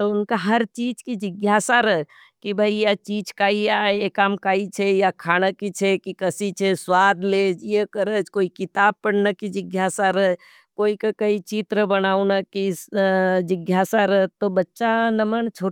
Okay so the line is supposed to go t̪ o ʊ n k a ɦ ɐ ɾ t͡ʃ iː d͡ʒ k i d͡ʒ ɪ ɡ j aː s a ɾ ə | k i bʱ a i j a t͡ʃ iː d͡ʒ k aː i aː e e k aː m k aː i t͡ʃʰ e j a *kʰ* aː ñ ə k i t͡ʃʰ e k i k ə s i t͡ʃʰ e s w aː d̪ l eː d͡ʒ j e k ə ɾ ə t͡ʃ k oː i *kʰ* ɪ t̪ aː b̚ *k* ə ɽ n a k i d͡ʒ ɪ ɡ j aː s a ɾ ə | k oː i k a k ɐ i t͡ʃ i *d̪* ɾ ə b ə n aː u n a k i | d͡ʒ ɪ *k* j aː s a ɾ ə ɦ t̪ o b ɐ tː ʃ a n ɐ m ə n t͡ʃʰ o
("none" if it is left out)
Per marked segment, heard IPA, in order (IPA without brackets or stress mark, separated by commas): kʰ, k, p, t̪, ɡ